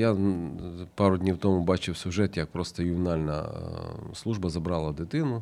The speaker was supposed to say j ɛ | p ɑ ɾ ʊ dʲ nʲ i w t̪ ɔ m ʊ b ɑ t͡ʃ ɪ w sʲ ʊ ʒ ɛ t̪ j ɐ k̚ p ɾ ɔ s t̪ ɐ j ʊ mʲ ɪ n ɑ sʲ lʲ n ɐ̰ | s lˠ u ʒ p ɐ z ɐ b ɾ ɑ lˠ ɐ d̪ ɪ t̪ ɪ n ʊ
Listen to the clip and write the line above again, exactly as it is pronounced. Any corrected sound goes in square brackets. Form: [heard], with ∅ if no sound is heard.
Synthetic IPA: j [a] | p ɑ ɾ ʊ dʲ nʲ i w t̪ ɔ m ʊ b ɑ t͡ʃ ɪ w sʲ ʊ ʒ ɛ t̪ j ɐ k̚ p ɾ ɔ s t̪ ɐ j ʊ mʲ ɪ n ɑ [∅] lʲ n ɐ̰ | s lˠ u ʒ [b] ɐ z ɐ b ɾ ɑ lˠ ɐ d̪ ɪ t̪ ɪ n ʊ